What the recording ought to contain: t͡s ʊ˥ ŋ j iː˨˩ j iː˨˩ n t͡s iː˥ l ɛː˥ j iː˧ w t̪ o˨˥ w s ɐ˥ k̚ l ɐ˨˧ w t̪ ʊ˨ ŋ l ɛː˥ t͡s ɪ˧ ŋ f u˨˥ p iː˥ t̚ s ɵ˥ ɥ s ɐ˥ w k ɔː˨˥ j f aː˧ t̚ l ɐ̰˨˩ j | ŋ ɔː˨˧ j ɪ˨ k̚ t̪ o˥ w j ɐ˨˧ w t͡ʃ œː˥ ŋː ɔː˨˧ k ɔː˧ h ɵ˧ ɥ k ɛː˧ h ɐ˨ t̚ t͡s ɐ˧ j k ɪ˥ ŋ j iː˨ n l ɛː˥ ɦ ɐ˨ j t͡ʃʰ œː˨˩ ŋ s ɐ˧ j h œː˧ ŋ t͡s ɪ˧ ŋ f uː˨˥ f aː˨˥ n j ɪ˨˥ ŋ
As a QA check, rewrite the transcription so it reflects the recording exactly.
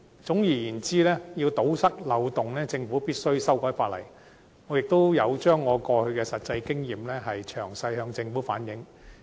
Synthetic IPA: t͡s ʊ˨˥ ŋ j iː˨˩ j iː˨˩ n t͡s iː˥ l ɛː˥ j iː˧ w t̪ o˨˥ w s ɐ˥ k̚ l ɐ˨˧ w t̪ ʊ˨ ŋ l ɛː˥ t͡s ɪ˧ ŋ f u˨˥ p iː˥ t̚ s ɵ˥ ɥ s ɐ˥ w k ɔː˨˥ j f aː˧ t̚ l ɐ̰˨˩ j | ŋ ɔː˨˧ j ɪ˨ k̚ t̪ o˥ w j ɐ˨˧ w t͡ʃ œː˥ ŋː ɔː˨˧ k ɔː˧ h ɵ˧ ɥ k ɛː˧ s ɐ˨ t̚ t͡s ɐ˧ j k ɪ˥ ŋ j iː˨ m l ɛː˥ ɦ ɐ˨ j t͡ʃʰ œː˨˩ ŋ s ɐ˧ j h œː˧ ŋ t͡s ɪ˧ ŋ f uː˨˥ f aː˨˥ n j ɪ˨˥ ŋ